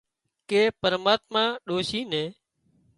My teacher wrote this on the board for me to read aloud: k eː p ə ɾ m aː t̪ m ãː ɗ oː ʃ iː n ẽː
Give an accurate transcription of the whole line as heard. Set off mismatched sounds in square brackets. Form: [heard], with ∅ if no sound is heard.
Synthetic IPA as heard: k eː p ə ɾ m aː t̪ m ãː ɗ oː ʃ iː n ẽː